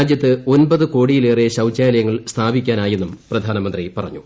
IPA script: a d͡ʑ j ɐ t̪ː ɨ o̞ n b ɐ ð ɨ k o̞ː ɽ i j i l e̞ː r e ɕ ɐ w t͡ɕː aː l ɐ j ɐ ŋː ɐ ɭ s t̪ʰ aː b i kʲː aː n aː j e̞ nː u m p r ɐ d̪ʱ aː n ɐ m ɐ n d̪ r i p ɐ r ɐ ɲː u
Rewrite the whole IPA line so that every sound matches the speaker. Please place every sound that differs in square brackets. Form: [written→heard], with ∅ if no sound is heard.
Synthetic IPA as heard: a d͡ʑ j ɐ t̪ː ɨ o̞ n b ɐ ð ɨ k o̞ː ɽ i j i l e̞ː r e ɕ ɐ w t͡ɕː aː l ɐ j ɐ ŋː ɐ ɭ s t̪ʰ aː b i kʲː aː n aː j e̞ nː u m p r ɐ d̪ʱ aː n ɐ m ɐ n d̪ r i p ɐ r ɐ ɲː u